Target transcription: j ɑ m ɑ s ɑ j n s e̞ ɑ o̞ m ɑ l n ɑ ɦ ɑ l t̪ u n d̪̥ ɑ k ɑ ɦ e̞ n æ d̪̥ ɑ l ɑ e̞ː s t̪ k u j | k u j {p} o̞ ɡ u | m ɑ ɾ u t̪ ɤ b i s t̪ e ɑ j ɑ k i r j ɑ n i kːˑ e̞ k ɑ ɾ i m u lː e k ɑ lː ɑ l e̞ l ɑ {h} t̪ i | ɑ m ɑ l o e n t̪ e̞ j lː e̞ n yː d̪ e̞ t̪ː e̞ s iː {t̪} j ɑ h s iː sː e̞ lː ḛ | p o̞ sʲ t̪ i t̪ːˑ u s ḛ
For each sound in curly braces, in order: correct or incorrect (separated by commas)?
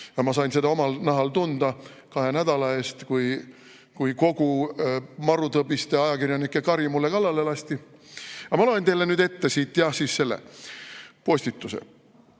incorrect, incorrect, correct